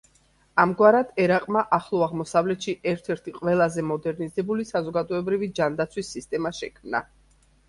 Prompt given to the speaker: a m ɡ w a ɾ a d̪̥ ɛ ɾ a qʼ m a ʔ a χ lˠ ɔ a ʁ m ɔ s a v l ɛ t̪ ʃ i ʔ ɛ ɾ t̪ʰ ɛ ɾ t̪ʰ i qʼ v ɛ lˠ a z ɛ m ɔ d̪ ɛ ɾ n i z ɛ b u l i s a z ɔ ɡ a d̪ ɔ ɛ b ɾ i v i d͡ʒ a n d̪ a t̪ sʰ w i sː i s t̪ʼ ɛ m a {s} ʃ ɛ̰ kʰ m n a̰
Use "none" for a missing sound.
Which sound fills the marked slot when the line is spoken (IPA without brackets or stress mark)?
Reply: none